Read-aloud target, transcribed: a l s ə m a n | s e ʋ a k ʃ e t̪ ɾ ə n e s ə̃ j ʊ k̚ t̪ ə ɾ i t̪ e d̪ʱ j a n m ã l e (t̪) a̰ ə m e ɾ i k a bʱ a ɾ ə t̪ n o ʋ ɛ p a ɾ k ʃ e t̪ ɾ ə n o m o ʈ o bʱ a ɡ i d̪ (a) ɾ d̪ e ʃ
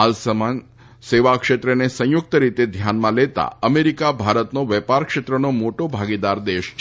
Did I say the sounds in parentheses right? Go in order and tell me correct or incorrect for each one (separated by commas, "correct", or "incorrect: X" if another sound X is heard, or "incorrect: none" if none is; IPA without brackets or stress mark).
correct, correct